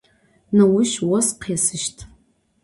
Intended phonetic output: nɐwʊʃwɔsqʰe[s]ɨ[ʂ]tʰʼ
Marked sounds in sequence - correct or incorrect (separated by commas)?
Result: correct, incorrect